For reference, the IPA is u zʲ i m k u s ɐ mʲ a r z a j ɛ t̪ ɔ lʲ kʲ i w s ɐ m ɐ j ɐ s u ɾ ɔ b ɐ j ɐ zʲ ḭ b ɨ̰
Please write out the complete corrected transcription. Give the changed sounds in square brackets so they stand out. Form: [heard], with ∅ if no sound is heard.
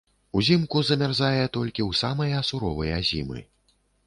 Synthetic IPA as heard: u zʲ i m k u [z] ɐ mʲ a r z a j ɛ t̪ ɔ lʲ kʲ i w s [a] m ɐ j ɐ s u ɾ ɔ [v] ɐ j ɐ zʲ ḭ [m] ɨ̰